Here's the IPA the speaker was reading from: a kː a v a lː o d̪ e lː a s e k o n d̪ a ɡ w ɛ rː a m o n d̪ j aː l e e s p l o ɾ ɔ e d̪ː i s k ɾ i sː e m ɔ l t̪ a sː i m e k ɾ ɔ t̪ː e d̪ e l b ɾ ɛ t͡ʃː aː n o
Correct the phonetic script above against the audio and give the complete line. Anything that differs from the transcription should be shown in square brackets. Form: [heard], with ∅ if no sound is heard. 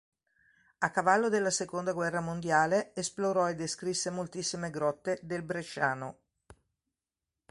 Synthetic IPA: a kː a v a lː o d̪ e lː a s e k o n d̪ a ɡ w ɛ rː a m o n d̪ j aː l e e s p l o ɾ ɔ e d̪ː [e] s k ɾ i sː e m [o] l t̪ [i] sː i m e [ɡ] ɾ ɔ t̪ː e d̪ e l b ɾ [e] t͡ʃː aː n o